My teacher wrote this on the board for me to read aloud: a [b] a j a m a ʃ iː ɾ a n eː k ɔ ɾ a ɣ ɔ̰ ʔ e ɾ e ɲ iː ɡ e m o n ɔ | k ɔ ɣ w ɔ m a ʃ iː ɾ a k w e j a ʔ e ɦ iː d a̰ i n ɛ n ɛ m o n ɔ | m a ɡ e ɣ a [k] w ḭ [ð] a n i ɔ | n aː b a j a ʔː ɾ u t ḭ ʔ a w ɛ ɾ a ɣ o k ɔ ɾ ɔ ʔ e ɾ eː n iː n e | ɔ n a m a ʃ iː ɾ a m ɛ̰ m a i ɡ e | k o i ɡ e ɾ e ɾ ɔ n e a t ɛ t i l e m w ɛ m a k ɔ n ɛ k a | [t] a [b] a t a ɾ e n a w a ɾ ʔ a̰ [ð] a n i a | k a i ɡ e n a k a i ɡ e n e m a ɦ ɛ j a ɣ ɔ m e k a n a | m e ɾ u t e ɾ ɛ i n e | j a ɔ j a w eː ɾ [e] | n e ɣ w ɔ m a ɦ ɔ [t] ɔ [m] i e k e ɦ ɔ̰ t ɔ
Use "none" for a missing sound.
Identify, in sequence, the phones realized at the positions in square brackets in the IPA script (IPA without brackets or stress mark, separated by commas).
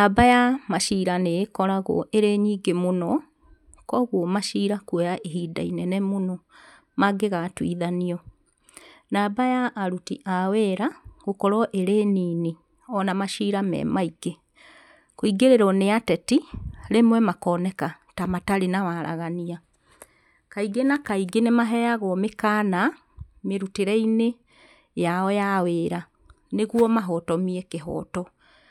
b, t, ð, t, m, ɣ, a, t, m